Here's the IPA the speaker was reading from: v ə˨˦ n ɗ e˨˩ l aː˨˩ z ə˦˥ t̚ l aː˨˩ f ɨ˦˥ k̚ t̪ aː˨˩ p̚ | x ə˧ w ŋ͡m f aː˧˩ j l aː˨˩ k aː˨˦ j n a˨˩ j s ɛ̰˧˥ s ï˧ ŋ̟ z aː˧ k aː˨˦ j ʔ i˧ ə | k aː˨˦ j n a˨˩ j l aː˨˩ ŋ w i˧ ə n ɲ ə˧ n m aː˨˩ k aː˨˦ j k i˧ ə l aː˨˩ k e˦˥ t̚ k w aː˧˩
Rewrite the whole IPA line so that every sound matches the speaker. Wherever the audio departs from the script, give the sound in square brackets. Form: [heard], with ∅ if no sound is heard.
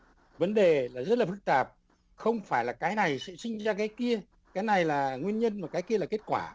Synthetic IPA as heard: v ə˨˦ n ɗ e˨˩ l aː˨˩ z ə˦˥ t̚ l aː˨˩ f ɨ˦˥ k̚ t̪ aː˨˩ p̚ | x ə˧ w ŋ͡m f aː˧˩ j l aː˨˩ k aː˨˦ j n a˨˩ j s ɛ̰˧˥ s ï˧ ŋ̟ z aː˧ k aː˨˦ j [k] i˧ ə | k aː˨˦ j n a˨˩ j l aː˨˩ ŋ w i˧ ə n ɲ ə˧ n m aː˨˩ k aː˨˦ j k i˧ ə l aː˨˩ k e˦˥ t̚ k w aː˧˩